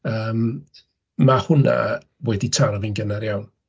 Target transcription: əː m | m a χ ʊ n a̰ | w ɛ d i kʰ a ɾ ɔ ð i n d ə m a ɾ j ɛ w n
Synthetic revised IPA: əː m | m a h ʊ n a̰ | w ɛ d i tʰ a ɾ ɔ v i n ɡ ə n a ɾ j a w n